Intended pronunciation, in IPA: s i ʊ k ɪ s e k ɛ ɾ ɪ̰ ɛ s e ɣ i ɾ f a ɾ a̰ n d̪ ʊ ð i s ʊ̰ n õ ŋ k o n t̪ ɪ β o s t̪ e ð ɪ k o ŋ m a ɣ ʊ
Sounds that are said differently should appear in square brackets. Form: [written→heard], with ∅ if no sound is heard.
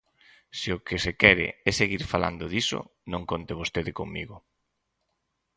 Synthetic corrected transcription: s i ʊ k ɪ s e k ɛ ɾ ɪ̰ ɛ s e ɣ i ɾ f a [ɾ→l] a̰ n d̪ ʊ ð i s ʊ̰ n õ ŋ k o n t̪ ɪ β o s t̪ e ð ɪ k o ŋ m [a→i] ɣ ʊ